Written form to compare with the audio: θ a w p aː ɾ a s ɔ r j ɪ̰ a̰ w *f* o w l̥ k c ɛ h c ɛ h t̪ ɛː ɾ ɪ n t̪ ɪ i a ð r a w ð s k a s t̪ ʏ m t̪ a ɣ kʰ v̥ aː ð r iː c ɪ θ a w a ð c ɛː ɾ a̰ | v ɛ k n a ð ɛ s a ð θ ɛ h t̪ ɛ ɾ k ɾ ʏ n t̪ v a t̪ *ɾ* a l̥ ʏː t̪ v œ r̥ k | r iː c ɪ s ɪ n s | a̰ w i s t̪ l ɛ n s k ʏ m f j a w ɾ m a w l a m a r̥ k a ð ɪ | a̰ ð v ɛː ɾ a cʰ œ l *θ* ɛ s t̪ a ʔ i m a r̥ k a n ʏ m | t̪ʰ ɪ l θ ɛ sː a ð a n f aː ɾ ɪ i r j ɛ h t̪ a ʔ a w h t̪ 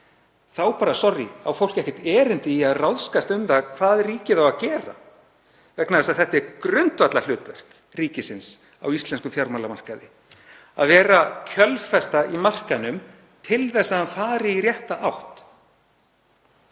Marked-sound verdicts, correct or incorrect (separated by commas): correct, incorrect, incorrect